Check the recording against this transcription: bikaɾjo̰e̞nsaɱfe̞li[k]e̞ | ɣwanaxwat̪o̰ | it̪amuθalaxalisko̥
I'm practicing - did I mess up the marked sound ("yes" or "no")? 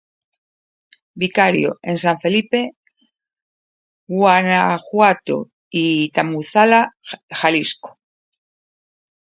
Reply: yes